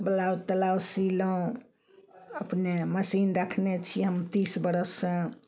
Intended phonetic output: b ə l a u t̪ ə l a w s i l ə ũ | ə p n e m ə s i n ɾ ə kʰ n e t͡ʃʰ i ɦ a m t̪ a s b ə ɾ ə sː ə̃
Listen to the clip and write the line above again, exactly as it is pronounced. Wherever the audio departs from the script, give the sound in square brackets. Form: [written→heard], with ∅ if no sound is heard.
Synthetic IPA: b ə l a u t̪ ə l a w s i l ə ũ | ə p n e m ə s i n ɾ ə kʰ n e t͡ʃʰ i ɦ [a→ə] m t̪ [a→i] s b ə ɾ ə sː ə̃